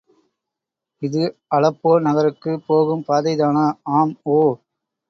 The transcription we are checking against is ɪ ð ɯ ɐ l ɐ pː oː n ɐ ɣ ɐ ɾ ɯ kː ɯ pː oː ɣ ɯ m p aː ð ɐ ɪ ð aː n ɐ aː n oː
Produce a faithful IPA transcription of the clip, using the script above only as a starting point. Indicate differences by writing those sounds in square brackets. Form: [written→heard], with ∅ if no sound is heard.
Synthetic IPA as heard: ɪ ð ɯ ɐ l ɐ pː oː n ɐ ɣ ɐ ɾ ɯ kː ɯ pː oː ɣ ɯ m p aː ð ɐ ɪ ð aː n ɐ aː [n→m] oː